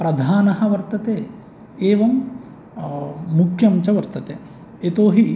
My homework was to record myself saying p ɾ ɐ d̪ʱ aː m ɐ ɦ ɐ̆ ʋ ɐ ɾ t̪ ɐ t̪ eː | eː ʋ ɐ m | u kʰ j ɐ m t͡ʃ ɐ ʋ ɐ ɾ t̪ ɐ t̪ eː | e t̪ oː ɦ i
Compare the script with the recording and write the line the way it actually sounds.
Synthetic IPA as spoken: p ɾ ɐ d̪ʱ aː n ɐ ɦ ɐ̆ ʋ ɐ ɾ t̪ ɐ t̪ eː | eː ʋ ɐ m | u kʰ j ɐ m t͡ʃ ɐ ʋ ɐ ɾ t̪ ɐ t̪ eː | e t̪ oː ɦ i